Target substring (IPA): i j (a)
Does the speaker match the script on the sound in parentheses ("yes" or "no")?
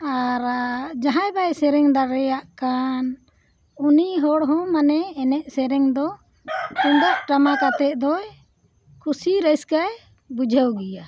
yes